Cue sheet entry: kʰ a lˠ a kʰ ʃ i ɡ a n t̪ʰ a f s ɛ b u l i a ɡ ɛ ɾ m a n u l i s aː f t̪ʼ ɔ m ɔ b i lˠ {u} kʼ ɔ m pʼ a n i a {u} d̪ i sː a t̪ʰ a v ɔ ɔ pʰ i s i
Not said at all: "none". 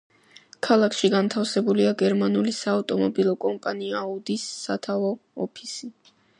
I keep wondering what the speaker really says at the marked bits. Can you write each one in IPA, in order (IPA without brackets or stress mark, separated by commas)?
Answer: ɔ, u